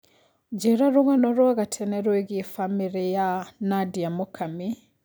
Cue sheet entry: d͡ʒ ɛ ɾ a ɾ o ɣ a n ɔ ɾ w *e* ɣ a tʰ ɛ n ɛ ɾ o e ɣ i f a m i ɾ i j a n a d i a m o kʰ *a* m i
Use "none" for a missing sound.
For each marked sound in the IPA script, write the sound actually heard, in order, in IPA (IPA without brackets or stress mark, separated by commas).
a, a